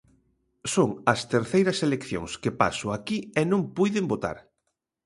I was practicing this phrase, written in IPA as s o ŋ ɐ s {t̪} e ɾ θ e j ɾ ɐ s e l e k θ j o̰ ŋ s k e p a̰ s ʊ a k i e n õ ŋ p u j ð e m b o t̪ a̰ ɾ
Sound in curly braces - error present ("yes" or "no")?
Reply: no